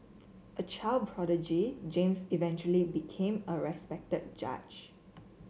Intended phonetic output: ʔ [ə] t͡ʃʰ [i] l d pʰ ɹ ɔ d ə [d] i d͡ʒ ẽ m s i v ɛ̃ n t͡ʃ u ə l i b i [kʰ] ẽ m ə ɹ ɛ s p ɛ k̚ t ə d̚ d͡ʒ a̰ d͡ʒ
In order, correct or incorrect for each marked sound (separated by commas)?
correct, incorrect, incorrect, correct